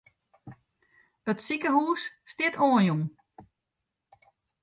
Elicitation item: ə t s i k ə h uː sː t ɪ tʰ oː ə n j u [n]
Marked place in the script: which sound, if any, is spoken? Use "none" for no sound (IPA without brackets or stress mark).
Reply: ŋ